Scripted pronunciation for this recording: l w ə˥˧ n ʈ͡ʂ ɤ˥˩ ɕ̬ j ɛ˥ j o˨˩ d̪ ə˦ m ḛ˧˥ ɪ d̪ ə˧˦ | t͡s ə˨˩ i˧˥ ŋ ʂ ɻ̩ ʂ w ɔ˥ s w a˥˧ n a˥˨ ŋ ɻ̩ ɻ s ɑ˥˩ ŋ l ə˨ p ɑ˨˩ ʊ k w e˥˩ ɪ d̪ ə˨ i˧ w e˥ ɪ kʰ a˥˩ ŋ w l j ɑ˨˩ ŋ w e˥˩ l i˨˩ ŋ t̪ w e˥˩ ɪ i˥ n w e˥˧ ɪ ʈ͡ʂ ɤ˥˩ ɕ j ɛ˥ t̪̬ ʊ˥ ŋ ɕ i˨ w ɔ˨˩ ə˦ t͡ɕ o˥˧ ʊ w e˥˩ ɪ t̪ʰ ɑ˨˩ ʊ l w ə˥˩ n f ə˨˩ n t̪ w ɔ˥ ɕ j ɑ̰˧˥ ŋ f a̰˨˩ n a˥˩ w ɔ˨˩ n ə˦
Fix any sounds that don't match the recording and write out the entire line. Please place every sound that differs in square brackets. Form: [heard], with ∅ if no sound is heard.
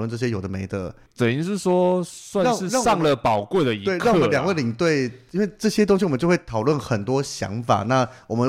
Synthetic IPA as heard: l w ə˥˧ n ʈ͡ʂ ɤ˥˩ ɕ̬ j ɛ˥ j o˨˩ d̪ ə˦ m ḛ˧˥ ɪ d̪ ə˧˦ | t͡s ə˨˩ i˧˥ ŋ ʂ ɻ̩ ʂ w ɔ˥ s w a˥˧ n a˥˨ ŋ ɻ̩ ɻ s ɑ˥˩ ŋ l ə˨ p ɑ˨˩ ʊ k w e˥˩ ɪ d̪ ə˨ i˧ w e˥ ɪ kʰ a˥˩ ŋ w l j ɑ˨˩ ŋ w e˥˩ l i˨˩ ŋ t̪ w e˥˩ ɪ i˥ n w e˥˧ ɪ ʈ͡ʂ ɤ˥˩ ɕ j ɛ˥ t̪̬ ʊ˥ ŋ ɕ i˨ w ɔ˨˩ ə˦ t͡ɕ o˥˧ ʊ w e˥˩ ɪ t̪ʰ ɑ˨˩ ʊ l w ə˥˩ n [x] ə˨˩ n t̪ w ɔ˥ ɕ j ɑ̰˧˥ ŋ f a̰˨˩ n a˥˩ w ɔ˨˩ [m] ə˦